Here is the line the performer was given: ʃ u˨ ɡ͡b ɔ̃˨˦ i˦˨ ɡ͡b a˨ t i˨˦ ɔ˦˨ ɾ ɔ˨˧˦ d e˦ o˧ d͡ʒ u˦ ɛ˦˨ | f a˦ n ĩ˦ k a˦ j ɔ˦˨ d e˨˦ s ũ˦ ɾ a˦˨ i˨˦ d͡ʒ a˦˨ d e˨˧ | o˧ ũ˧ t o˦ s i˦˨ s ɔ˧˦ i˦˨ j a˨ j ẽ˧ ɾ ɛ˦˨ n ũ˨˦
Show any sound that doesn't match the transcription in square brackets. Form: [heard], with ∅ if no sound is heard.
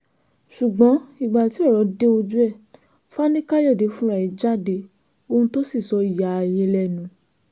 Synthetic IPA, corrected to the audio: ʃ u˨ ɡ͡b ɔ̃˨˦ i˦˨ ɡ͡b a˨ t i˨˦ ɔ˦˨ ɾ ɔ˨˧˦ d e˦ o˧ d͡ʒ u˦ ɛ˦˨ | f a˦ n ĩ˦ k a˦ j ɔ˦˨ d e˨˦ [f] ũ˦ ɾ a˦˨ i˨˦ d͡ʒ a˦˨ d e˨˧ | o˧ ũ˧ t o˦ s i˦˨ s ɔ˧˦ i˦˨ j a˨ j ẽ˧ [l] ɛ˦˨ n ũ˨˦